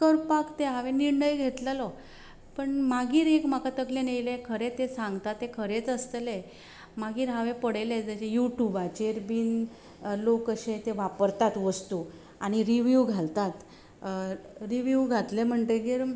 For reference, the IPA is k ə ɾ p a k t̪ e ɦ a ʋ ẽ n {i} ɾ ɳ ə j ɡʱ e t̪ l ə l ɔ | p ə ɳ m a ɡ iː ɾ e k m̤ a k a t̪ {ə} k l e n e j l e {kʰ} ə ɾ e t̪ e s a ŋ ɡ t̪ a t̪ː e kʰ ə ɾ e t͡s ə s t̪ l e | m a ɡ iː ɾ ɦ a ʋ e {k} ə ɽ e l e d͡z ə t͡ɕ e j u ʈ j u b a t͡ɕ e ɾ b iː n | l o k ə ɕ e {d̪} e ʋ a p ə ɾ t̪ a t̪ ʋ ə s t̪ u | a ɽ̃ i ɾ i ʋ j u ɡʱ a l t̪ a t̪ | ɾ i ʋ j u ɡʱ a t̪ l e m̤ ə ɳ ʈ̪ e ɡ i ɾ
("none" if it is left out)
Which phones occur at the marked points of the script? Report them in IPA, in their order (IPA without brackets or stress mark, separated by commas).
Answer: i, ə, kʰ, p, t̪